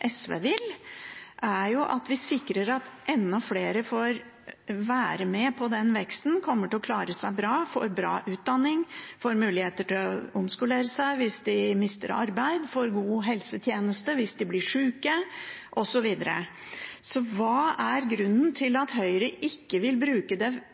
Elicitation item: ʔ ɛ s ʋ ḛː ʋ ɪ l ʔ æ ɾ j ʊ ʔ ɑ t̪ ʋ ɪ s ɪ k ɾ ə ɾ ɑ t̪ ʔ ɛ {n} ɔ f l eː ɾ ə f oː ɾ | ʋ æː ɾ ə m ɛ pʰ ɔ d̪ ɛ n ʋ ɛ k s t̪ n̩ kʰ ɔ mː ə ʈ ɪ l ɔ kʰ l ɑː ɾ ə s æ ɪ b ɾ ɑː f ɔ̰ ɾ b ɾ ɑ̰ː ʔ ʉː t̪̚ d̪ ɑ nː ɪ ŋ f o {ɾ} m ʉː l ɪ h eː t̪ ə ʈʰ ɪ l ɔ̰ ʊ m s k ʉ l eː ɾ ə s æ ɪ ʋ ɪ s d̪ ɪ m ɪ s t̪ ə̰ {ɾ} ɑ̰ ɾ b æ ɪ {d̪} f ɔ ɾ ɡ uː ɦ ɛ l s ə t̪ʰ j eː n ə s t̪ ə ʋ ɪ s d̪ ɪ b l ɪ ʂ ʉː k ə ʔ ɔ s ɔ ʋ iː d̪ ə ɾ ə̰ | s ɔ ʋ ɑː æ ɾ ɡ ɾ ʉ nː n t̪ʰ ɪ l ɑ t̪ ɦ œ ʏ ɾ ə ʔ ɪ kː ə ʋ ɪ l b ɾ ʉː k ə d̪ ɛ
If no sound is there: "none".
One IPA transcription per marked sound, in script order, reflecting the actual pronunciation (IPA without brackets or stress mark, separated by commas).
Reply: nː, ɾ, ɾ, d̪